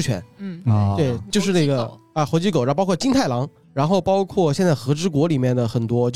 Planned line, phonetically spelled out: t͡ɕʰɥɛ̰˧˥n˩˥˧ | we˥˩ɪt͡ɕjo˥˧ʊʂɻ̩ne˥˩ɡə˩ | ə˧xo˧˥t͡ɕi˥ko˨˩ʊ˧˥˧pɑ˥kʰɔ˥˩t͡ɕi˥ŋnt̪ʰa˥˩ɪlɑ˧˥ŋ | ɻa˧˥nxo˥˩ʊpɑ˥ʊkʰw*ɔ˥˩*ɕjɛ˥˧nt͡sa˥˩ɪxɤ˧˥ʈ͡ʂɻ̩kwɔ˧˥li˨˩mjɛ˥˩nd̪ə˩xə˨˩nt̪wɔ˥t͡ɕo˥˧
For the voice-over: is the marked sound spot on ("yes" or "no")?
yes